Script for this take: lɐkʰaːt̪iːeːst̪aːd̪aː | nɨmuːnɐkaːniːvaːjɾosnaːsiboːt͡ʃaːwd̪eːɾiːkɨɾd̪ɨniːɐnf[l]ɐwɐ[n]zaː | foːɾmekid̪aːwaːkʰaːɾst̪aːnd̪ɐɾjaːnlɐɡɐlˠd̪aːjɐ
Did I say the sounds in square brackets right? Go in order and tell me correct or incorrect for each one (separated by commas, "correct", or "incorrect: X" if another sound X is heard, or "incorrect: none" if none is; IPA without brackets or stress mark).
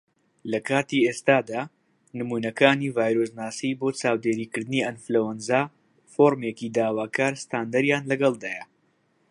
correct, correct